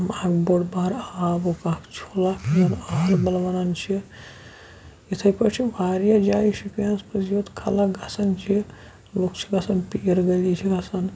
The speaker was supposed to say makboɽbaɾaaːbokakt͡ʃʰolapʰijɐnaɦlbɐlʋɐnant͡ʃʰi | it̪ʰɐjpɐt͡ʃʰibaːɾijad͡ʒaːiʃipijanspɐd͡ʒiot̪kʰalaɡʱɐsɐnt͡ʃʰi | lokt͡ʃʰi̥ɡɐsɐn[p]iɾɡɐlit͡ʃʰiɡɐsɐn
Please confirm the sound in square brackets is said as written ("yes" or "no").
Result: yes